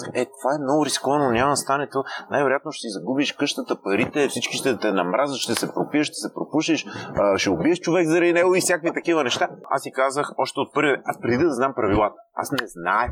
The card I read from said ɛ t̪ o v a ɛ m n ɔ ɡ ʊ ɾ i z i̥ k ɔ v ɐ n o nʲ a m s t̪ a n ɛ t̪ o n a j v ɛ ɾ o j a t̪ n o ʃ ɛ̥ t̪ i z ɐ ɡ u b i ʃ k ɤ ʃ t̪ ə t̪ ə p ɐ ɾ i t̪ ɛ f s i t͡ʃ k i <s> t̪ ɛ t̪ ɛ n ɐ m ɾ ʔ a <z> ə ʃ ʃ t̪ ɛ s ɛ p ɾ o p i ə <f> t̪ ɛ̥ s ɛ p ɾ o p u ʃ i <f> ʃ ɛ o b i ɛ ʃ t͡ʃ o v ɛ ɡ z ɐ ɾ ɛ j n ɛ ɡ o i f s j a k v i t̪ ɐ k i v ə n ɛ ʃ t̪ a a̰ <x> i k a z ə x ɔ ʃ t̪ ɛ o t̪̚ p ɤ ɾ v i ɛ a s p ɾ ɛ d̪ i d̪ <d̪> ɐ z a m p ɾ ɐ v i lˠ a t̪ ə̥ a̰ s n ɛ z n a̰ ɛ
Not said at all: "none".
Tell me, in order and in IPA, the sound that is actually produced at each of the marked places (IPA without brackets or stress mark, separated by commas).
ʃ, z, ʃ, ʃ, s, d̪